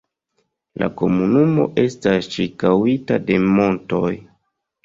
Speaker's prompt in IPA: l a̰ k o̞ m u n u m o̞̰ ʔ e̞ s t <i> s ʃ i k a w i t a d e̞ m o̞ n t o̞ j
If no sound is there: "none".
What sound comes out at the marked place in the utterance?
a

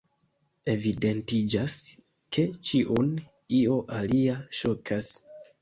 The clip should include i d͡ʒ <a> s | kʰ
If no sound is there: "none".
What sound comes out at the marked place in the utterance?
a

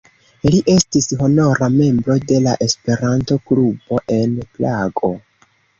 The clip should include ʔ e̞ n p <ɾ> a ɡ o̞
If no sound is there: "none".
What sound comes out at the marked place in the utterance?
l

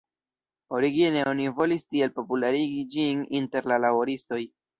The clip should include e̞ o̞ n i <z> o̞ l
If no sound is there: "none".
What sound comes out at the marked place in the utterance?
v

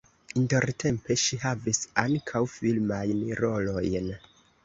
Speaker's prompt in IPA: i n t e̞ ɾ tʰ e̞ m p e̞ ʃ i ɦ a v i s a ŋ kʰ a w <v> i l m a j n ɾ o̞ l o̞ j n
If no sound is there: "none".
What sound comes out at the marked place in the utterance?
f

